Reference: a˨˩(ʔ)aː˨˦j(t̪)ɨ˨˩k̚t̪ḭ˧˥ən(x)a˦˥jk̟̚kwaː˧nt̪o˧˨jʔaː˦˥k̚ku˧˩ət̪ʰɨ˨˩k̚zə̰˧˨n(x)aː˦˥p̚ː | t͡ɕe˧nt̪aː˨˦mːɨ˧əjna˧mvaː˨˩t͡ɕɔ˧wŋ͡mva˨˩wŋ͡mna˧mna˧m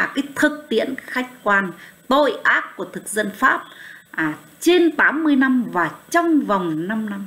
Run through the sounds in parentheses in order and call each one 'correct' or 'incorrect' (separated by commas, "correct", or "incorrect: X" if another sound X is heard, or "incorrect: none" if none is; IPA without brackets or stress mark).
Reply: incorrect: k, incorrect: t̪ʰ, correct, incorrect: f